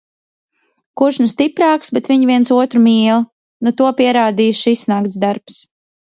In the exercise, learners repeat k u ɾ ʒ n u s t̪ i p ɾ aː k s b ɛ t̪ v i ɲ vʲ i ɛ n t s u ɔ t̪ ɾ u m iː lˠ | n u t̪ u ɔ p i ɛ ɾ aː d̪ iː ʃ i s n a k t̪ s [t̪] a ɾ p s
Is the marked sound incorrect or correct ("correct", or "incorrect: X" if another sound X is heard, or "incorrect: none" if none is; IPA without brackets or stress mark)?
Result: incorrect: d̪